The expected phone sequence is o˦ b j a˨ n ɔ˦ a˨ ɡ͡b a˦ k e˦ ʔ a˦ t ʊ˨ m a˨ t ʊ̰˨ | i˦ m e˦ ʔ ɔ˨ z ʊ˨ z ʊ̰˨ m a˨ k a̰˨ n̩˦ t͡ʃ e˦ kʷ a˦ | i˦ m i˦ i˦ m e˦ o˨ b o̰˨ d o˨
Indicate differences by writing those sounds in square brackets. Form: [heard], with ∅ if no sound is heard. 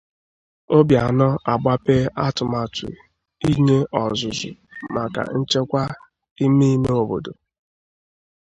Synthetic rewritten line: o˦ b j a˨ n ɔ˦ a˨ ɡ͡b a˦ [p] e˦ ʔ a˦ t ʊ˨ m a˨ t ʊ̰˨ | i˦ [ɲ] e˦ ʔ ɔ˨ z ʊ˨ z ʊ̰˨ m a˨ k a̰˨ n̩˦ t͡ʃ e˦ kʷ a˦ | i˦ m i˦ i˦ m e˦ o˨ b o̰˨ d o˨